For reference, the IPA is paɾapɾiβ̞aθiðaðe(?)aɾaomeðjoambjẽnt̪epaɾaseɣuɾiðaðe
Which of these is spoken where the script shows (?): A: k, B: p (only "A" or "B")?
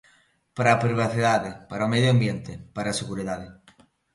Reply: B